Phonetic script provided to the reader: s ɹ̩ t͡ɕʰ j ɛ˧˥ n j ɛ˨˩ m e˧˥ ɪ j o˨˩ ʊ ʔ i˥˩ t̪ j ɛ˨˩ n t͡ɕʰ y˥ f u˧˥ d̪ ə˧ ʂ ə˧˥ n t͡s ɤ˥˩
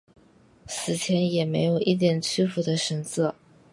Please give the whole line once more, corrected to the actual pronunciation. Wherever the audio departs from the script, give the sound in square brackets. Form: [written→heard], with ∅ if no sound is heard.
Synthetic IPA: s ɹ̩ t͡ɕʰ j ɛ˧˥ n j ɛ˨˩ m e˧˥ ɪ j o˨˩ ʊ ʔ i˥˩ t̪ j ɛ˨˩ n t͡ɕʰ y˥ f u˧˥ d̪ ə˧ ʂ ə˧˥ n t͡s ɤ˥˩

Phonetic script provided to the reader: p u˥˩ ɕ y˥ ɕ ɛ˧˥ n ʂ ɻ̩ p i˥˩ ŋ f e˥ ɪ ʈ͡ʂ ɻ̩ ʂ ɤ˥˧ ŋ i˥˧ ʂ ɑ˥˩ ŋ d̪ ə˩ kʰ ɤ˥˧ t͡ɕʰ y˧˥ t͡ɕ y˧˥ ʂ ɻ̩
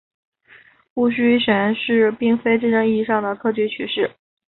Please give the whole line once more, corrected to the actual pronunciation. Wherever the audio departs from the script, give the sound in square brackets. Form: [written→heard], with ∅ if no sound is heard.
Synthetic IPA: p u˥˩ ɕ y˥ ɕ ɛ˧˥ n ʂ ɻ̩ p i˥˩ ŋ f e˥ ɪ ʈ͡ʂ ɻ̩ [ʂ→ʈ͡ʂ] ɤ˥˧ ŋ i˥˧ ʂ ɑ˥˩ ŋ d̪ ə˩ kʰ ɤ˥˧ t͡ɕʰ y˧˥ [t͡ɕ→t͡ɕʰ] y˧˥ ʂ ɻ̩

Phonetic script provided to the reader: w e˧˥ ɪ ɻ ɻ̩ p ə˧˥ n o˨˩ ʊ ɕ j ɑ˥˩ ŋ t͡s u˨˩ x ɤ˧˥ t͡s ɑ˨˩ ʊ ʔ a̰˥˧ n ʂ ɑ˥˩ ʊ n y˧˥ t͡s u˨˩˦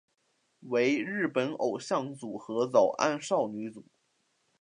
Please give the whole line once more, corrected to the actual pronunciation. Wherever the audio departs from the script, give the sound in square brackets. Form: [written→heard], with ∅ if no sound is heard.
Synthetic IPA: w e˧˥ ɪ ɻ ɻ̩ p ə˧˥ n o˨˩ ʊ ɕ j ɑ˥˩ ŋ t͡s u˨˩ x ɤ˧˥ t͡s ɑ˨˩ ʊ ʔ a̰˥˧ n ʂ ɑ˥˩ ʊ n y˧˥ t͡s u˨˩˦

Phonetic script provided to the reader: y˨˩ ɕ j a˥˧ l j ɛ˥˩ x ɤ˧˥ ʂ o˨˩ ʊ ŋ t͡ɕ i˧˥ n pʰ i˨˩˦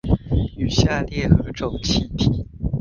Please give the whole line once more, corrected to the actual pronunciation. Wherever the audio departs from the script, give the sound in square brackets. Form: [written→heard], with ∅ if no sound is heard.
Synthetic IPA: y˨˩ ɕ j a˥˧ l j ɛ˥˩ x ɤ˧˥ [ʂ→ʈ͡ʂ] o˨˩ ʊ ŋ [t͡ɕ→t͡ɕʰ] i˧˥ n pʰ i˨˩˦

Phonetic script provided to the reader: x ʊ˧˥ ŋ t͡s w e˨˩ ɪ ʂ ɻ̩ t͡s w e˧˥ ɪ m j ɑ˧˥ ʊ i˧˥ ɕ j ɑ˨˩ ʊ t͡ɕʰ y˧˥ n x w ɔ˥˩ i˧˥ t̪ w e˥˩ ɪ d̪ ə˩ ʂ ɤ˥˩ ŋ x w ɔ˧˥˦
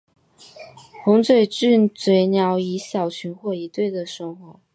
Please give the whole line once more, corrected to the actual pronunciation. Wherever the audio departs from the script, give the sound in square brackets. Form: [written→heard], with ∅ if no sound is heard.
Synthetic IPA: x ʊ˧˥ ŋ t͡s w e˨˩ ɪ [ʂ→ʈ͡ʂ] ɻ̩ t͡s w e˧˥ ɪ [m→n] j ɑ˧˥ ʊ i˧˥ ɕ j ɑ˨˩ ʊ t͡ɕʰ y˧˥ n x w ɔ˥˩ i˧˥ t̪ w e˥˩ ɪ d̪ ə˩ ʂ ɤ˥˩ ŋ x w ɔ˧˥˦

